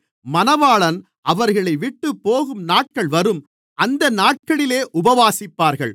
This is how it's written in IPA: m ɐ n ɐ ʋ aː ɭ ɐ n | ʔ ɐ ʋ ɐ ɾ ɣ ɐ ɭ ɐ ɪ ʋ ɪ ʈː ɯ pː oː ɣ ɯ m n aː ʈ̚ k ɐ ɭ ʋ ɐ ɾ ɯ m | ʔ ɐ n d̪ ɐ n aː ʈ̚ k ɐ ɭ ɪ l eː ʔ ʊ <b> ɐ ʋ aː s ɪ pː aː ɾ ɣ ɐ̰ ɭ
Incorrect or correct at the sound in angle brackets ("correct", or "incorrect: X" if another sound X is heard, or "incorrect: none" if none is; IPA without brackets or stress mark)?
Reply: correct